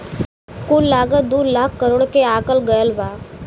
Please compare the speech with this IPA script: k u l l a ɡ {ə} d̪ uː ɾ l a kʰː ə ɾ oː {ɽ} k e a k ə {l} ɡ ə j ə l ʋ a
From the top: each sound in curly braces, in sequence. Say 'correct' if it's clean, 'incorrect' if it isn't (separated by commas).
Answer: correct, correct, correct